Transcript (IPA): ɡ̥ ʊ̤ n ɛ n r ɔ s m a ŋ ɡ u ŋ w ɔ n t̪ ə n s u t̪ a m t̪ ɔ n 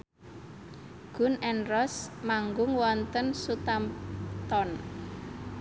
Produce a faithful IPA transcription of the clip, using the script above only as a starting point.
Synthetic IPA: ɡ̥ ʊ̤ n ɛ n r ɔ s m a ŋ ɡ ʊ ŋ w ɔ n t̪ ə n s u t̪ a m t̪ ɔ n